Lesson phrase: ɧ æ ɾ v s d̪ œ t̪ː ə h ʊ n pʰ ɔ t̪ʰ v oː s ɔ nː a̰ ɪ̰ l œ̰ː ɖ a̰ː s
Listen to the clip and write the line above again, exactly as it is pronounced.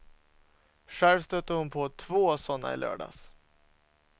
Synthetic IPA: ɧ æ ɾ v s t̪ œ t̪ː ə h ʊ n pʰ ɔ t̪ʰ v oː s ɔ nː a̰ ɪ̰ l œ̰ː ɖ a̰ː s

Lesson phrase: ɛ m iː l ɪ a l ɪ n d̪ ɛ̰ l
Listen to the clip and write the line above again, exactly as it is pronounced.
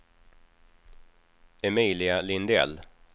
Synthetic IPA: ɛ m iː l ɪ a l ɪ n d̪ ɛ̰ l

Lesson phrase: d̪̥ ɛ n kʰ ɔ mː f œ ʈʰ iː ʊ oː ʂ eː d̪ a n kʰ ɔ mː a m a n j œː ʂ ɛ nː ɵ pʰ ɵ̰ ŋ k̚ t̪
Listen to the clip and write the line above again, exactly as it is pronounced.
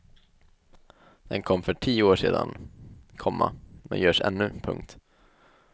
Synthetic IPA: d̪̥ ɛ n kʰ ɔ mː f œ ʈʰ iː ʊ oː ʂ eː d̪ a n kʰ ɔ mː a m ɛ n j œː ʂ ɛ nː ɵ pʰ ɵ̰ ŋ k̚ t̪

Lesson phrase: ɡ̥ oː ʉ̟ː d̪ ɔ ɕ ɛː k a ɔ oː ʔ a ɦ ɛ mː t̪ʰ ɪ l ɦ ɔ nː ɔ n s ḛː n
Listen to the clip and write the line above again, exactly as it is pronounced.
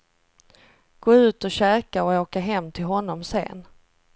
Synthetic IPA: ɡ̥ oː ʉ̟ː t̪ ɔ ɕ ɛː k a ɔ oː k a ɦ ɛ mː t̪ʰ ɪ l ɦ ɔ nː ɔ m s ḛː n

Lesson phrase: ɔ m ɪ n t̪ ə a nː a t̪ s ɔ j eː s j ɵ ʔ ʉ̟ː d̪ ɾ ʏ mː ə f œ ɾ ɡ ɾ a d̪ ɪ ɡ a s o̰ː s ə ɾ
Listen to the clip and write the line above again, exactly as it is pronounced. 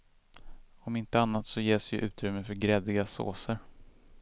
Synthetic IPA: ɔ m ɪ n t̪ ə a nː a t̪ s ɔ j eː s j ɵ ʔ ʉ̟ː t̪ ɾ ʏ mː ə f œ ɾ ɡ ɾ ɛ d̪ ɪ ɡ a s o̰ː s ə ɾ

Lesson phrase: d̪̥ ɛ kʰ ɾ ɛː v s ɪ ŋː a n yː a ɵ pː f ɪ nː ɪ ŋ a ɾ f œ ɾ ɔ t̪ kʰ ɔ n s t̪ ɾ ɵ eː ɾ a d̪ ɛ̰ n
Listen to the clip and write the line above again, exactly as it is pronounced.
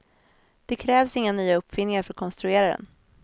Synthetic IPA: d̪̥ ɛ kʰ ɾ ɛː v s ɪ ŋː a n yː a ɵ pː f ɪ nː ɪ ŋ a ɾ f œ ɾ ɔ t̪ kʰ ɔ n s t̪ ɾ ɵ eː ɾ a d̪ ɛ̰ n

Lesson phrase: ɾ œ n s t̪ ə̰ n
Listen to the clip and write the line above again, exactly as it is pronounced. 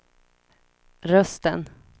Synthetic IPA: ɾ œ s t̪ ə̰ n

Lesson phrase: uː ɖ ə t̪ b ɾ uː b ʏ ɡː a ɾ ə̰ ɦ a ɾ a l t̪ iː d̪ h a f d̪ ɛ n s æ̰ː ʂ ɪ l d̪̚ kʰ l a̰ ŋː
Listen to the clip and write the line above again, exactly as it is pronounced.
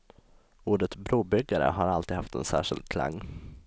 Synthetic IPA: uː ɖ ə t̪ b ɾ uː b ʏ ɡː a ɾ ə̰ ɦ a ɾ a l t̪ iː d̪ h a f t̪ ɛ n s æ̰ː ʂ ɪ l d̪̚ kʰ l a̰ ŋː

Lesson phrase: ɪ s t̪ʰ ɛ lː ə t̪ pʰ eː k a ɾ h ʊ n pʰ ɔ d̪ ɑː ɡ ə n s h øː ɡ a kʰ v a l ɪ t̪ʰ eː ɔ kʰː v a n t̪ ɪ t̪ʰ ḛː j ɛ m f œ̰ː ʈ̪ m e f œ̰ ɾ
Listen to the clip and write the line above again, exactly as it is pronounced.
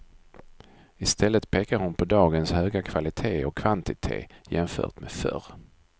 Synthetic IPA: ɪ s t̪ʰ ɛ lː ə t̪ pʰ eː k a ɾ h ʊ n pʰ ɔ d̪ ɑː ɡ ə n s h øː ɡ a kʰ v a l ɪ t̪ʰ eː ɔ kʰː v a n t̪ ɪ t̪ʰ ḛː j ɛ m f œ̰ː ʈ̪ m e f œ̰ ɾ

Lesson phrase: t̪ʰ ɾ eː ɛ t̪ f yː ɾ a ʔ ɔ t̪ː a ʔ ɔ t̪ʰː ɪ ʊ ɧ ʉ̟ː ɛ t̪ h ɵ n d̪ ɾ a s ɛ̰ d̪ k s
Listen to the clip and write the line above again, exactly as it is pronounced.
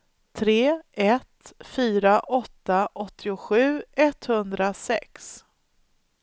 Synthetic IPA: t̪ʰ ɾ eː ɛ t̪ f yː ɾ a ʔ ɔ t̪ː a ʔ ɔ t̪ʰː ɪ ʊ ɧ ʉ̟ː ɛ t̪ h ɵ n d̪ ɾ a s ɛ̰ k s

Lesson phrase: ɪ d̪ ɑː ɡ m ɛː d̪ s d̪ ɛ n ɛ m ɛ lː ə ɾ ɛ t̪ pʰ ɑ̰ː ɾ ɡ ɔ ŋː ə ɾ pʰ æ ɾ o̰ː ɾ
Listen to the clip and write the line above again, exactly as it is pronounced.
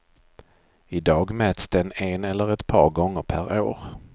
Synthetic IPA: ɪ d̪ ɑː ɡ m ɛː t̪ s d̪ ɛ n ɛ n ɛ lː ə ɾ ɛ t̪ pʰ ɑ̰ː ɾ ɡ ɔ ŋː ə ɾ pʰ æ ɾ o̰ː ɾ

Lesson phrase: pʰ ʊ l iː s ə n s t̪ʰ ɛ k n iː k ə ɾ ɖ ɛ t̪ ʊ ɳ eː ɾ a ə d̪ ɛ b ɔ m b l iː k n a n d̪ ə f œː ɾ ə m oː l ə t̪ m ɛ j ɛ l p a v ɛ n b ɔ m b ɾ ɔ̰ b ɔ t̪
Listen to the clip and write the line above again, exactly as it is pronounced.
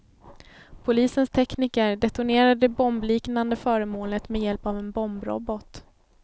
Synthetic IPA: pʰ ʊ l iː s ə n s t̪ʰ ɛ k n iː k ə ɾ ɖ ɛ t̪ ʊ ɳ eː ɾ a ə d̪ ɛ b ɔ m b l iː k n a n d̪ ə f œː ɾ ə m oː l ə t̪ m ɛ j ɛ l p a v ɛ n b ɔ m b ɾ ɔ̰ b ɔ t̪

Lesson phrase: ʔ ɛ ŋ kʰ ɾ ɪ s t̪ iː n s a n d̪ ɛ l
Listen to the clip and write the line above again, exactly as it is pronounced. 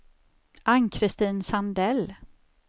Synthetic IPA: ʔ a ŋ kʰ ɾ ɪ s t̪ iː n s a n d̪ ɛ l

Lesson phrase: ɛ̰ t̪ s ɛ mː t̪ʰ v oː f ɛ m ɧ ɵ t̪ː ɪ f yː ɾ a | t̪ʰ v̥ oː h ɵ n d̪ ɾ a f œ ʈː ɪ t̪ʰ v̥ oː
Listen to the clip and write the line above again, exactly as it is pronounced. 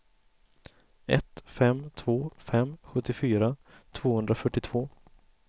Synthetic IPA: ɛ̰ t̪ f ɛ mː t̪ʰ v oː f ɛ m ɧ ɵ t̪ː ɪ f yː ɾ a | t̪ʰ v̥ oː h ɵ n d̪ ɾ a f œ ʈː ɪ t̪ʰ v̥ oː

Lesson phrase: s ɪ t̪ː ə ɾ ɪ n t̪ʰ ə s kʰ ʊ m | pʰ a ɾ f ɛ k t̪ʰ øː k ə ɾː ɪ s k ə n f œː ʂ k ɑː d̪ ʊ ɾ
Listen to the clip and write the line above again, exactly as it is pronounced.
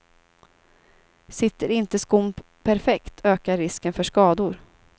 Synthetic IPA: s ɪ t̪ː ə ɾ ɪ n t̪ ə s k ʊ m | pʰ æ ɾ f ɛ k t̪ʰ øː k a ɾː ɪ s k ə n f œ ʂ k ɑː d̪ ʊ ɾ

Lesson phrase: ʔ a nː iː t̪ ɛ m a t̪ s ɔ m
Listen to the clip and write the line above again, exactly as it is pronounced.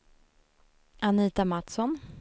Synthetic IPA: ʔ a n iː t̪ a m a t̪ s ɔ n

